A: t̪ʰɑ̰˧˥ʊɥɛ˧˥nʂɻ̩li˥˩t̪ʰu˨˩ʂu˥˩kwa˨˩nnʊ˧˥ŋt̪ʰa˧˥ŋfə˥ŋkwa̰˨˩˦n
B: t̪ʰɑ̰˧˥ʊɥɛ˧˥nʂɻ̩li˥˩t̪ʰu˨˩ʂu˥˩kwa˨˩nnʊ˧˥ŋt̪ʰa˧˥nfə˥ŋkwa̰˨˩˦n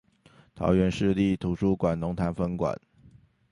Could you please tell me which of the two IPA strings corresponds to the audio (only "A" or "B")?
B